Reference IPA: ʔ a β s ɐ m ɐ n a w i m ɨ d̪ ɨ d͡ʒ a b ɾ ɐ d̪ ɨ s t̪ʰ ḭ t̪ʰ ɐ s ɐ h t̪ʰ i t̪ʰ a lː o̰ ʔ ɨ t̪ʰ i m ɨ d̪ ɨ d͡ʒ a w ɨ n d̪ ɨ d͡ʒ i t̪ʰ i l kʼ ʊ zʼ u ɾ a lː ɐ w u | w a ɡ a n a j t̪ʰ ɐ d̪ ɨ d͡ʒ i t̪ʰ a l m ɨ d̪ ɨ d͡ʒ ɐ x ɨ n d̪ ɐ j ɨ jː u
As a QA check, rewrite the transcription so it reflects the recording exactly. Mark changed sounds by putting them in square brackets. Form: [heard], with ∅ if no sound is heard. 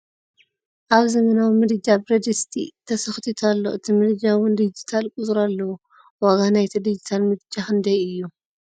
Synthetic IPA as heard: ʔ a β [z] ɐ m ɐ n a w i m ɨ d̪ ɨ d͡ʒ a b ɾ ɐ d̪ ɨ s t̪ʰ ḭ t̪ʰ ɐ s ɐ [x] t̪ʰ i t̪ʰ a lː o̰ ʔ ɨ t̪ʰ i m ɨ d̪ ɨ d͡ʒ a w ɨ n d̪ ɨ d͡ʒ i t̪ʰ [a] l kʼ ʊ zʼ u ɾ a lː ɐ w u | w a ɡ a n a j t̪ʰ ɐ d̪ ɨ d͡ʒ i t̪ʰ a l m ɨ d̪ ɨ d͡ʒ [a] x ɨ n d̪ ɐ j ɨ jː u